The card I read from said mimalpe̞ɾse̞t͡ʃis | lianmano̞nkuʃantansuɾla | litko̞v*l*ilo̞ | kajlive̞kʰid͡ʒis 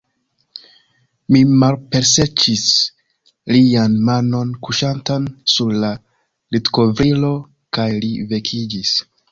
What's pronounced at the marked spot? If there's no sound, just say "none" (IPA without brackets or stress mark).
ɾ